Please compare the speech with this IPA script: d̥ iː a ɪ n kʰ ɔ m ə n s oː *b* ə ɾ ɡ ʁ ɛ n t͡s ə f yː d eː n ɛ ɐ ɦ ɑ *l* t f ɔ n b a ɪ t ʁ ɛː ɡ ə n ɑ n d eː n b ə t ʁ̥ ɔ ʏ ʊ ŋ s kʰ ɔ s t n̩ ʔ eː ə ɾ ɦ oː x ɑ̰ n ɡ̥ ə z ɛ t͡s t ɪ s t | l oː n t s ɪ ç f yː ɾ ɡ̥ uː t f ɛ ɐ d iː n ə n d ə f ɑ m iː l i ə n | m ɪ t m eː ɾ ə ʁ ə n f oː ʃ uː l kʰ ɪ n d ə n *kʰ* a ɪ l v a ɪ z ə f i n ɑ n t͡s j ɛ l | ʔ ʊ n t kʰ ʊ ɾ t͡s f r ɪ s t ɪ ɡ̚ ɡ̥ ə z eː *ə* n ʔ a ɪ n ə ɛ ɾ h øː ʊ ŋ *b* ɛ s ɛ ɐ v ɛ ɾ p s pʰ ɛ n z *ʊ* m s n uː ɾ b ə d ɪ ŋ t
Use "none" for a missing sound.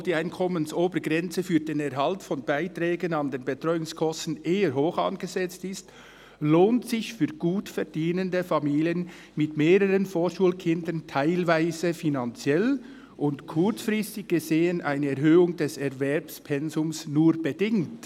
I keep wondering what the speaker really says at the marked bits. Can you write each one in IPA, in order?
b, l, tʰ, ə, d, ʊ

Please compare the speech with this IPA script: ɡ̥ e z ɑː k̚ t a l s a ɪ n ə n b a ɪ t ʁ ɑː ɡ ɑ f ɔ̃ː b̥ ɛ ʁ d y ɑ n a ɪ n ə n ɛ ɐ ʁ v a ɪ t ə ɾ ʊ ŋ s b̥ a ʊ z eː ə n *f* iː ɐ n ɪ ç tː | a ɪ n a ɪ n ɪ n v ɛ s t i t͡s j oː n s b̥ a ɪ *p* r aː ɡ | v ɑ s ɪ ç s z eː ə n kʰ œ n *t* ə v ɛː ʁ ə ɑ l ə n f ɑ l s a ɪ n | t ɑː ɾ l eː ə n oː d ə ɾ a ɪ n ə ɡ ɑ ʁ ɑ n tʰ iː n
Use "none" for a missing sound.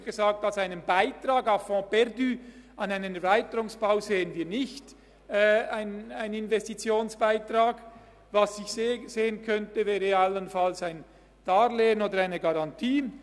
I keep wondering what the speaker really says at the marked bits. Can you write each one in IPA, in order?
v, t, t

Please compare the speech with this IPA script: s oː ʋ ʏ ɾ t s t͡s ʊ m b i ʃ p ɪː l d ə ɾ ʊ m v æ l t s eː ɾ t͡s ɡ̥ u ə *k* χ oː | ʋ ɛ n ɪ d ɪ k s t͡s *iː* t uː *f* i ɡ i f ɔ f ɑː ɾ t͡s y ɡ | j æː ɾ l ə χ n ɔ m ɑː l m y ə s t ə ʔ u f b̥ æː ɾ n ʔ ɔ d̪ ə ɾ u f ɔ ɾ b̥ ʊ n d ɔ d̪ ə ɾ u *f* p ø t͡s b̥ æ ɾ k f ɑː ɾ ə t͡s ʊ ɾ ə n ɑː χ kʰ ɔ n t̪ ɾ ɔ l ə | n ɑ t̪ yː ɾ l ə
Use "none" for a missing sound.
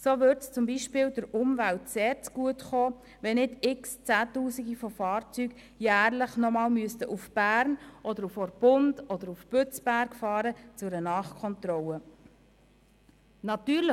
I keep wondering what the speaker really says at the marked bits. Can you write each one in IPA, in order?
t, æː, s, f

